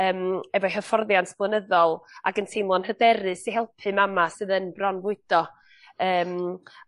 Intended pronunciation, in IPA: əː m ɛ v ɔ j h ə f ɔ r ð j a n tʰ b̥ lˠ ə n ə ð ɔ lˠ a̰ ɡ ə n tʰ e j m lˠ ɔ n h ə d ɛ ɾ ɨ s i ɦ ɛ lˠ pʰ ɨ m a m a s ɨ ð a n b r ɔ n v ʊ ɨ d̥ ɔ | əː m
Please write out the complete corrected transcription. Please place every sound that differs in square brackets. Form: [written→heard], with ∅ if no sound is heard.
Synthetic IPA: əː m ɛ v ɔ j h ə f ɔ r ð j a n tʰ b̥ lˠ ə n ə ð ɔ lˠ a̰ ɡ ə n tʰ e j m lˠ ɔ n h ə d ɛ ɾ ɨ s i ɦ ɛ lˠ pʰ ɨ m a m a s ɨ ð [a→ə] n b r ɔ n v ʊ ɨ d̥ ɔ | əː m